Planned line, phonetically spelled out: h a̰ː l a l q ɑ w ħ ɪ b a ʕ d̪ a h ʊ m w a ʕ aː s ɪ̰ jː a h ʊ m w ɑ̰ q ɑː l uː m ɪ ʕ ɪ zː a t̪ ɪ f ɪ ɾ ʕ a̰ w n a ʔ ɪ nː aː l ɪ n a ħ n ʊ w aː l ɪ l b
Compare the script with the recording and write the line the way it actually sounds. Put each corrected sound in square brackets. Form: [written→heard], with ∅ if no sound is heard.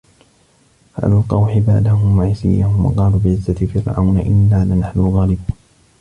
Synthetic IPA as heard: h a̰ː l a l q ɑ w ħ ɪ b a ʕ d̪ a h ʊ m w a ʕ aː s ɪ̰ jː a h ʊ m w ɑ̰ q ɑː l uː [m→b] ɪ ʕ ɪ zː a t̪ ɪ f ɪ ɾ ʕ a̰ w n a ʔ ɪ nː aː l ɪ n a ħ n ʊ [w→ɣ] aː l ɪ [l→∅] b